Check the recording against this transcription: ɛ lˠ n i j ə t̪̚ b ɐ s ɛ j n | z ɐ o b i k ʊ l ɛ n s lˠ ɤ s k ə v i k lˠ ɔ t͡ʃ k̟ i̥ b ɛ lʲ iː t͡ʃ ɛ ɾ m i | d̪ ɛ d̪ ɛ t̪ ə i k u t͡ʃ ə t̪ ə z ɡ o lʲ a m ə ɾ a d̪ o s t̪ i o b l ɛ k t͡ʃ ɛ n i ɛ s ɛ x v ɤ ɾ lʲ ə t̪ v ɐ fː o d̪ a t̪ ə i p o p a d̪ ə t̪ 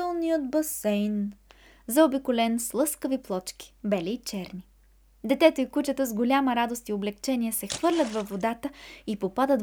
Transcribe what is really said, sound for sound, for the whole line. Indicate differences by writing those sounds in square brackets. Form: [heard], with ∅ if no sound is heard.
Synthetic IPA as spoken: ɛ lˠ n i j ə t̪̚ b ɐ s ɛ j n | z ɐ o b i k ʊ l ɛ n s lˠ ɤ s k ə v i [p] lˠ ɔ t͡ʃ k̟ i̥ b ɛ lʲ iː t͡ʃ ɛ ɾ [n] i | d̪ ɛ [t̪] ɛ t̪ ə i k u t͡ʃ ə t̪ ə z ɡ o lʲ a m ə ɾ a d̪ o s t̪ i o b l ɛ k t͡ʃ ɛ n i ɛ s ɛ x v ɤ ɾ lʲ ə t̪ v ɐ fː o d̪ a t̪ ə i p o p a d̪ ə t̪